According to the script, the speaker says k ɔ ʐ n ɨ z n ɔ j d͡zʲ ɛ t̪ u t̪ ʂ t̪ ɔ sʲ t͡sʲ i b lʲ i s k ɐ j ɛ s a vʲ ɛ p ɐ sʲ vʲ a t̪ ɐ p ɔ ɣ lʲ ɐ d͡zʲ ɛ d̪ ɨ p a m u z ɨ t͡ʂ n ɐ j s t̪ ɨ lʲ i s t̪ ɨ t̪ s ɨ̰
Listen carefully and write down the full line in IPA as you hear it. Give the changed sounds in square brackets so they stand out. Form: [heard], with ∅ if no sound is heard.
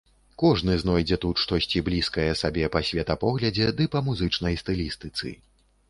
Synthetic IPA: k ɔ ʐ n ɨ z n ɔ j d͡zʲ ɛ t̪ u t̪ ʂ t̪ ɔ sʲ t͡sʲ i b lʲ i s k ɐ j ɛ s a [bʲ] ɛ p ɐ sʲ vʲ [ɛ] t̪ ɐ p ɔ ɣ lʲ ɐ d͡zʲ ɛ d̪ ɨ p [ɐ] m u z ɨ t͡ʂ n ɐ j s t̪ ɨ lʲ i s t̪ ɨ t̪ s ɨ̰

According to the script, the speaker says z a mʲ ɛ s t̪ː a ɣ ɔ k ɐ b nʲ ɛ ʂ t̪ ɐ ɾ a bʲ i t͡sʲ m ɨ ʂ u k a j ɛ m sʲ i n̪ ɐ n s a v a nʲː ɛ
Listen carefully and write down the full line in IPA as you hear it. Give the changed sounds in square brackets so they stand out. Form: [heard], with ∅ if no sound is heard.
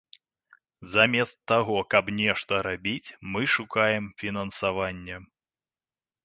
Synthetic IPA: z a mʲ ɛ s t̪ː a ɣ ɔ k ɐ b nʲ ɛ ʂ t̪ ɐ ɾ a bʲ i t͡sʲ m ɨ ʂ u k a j ɛ m [fʲ] i n̪ ɐ n s a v a nʲː ɛ

